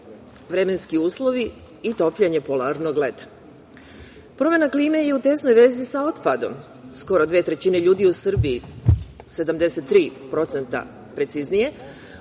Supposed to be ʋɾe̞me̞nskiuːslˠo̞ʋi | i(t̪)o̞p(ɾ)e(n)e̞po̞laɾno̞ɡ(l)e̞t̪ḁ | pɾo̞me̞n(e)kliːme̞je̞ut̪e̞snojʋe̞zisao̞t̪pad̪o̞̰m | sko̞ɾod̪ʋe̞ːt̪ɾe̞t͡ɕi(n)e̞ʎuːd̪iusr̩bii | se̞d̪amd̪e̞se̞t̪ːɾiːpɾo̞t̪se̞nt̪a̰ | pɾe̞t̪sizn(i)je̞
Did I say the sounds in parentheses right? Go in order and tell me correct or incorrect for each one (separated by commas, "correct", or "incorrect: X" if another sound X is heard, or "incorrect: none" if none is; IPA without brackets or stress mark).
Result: correct, incorrect: ʎ, incorrect: ɲ, correct, incorrect: a, correct, correct